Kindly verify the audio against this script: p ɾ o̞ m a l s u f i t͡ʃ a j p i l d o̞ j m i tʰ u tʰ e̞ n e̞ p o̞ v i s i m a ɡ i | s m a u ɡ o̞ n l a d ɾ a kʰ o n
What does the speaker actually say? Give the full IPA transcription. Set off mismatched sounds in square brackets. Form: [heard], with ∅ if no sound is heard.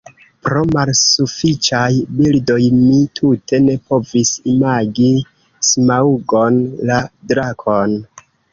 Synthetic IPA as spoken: p ɾ o̞ m a l s u f i t͡ʃ a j [b] i l d o̞ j m i tʰ u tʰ e̞ n e̞ p o̞ v i s i m a ɡ i | s m a u ɡ o̞ n l a d ɾ a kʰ o n